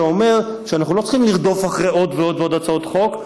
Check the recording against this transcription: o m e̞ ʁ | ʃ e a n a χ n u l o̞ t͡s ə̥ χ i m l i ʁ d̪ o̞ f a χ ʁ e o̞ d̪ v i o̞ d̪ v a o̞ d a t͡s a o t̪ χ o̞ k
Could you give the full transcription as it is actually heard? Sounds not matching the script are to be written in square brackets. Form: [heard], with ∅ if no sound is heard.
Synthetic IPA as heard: o m e̞ ʁ | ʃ e a n a χ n u l o̞ t͡s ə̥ χ i m l i ʁ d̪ o̞ f a χ ʁ e o̞ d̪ v [e] o̞ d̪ v [e] o̞ d a t͡s a o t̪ χ o̞ k